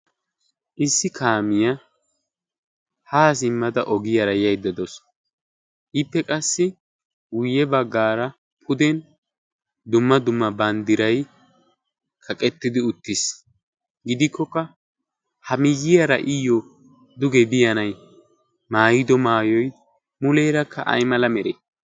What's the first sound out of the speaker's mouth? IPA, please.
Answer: ʔ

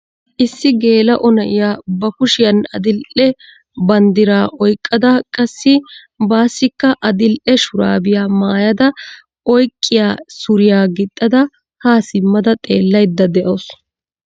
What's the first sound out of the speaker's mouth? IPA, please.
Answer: ʔ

